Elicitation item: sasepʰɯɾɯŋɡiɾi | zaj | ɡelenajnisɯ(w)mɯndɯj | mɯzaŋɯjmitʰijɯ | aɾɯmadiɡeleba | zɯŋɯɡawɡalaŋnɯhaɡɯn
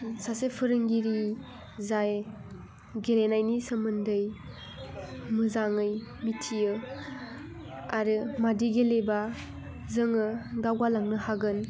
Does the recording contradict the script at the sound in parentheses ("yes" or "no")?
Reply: yes